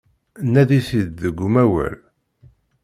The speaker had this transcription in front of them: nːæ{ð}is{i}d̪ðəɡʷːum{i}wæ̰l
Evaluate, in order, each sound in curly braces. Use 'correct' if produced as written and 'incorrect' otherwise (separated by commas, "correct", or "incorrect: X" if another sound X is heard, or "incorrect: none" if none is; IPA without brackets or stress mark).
correct, correct, incorrect: æ